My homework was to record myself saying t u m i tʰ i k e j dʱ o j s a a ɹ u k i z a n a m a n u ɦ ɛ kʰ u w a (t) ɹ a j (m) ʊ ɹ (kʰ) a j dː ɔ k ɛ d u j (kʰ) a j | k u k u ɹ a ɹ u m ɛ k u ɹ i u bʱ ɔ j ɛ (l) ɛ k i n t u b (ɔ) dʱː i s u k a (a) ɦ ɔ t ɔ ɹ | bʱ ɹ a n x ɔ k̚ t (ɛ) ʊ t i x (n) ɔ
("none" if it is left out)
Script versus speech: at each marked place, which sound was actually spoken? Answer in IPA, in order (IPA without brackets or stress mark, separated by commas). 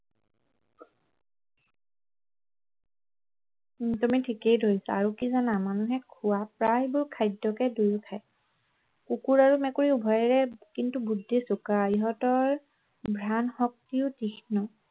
p, b, kʰ, kʰ, ɹ, u, i, i, n